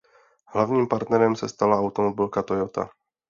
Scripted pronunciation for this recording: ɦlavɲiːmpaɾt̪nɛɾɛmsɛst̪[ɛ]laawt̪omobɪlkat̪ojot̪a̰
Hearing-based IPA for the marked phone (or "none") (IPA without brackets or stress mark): a